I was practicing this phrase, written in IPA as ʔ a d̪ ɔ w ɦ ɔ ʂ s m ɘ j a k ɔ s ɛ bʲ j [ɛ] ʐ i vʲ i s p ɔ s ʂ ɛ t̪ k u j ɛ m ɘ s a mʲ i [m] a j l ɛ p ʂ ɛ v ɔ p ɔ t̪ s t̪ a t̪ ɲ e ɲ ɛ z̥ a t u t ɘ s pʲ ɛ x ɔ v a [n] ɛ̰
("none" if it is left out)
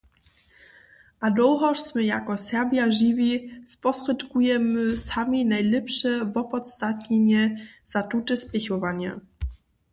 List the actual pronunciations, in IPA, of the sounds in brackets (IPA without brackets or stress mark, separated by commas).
a, n, ɲ